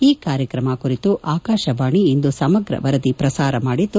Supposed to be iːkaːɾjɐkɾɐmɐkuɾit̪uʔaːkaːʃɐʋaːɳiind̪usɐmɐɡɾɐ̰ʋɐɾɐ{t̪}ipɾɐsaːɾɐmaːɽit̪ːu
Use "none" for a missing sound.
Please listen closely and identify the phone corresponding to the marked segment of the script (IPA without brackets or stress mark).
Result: d̪